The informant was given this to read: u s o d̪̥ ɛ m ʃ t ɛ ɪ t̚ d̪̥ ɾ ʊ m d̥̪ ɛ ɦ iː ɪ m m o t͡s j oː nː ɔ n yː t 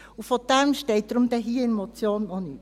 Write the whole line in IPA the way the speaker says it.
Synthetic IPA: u f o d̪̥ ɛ m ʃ t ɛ ɪ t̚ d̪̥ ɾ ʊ m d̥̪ ɛ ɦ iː ɪ n m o t͡s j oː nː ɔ n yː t